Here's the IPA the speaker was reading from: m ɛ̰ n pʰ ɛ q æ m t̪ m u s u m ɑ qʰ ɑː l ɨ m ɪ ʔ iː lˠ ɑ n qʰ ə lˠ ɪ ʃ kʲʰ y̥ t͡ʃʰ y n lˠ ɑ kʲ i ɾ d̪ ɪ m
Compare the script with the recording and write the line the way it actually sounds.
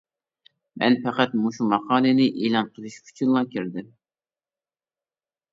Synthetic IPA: m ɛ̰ n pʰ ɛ q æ t̪ m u ʃ u m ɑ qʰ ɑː l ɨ n ɪ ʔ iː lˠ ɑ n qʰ ə lˠ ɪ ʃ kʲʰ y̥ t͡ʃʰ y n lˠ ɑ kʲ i ɾ d̪ ɪ m